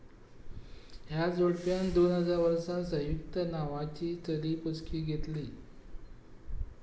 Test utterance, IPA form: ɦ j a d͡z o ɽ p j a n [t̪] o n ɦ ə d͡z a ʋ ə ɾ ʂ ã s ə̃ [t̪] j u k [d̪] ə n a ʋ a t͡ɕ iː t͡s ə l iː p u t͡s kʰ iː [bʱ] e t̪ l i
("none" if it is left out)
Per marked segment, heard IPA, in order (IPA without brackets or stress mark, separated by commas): d̪, none, t̪, ɡʱ